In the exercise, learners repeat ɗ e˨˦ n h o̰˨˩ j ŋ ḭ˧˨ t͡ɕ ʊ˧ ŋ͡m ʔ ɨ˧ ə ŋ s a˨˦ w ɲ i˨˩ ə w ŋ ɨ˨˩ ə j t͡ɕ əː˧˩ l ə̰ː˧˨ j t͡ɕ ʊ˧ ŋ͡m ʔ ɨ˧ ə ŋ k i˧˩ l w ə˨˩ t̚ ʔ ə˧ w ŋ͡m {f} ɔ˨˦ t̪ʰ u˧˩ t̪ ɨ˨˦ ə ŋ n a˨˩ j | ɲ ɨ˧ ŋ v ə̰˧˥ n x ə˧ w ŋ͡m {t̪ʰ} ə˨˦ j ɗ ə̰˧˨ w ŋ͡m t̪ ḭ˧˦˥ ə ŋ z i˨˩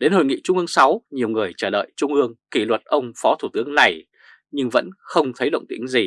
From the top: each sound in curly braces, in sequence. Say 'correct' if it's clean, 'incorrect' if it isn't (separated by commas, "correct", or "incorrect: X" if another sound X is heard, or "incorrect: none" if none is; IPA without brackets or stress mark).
correct, correct